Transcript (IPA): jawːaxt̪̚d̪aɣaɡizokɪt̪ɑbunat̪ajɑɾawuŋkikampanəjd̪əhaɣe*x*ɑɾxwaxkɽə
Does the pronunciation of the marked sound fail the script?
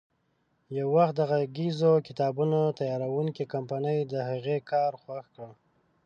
yes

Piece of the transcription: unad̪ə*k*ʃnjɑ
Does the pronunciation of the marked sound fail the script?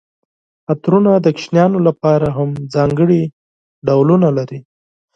no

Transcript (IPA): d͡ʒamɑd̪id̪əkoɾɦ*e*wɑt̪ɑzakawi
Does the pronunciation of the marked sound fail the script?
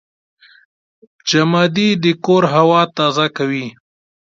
yes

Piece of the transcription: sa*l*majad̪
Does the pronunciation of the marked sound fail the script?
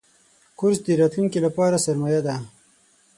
yes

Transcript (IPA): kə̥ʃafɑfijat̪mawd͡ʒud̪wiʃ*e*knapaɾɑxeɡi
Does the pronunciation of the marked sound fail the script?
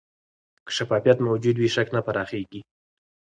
yes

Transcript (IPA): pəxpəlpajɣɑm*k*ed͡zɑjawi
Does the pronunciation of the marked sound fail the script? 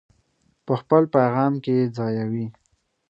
no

